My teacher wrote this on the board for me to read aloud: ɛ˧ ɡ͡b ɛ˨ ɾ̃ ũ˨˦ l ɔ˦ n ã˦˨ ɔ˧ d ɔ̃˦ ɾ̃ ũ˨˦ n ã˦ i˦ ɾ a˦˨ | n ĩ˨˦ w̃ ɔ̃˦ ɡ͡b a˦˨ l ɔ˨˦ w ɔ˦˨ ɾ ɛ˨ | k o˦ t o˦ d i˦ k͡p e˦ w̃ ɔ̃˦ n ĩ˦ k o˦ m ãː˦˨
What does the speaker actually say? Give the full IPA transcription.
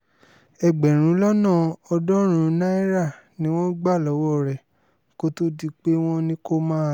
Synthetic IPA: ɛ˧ ɡ͡b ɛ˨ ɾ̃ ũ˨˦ l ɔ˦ n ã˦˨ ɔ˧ d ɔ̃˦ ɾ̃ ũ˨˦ n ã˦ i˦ ɾ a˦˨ | n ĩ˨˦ w̃ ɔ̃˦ ɡ͡b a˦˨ l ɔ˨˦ w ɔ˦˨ ɾ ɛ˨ | k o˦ t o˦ d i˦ k͡p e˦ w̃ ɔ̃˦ n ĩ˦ k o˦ m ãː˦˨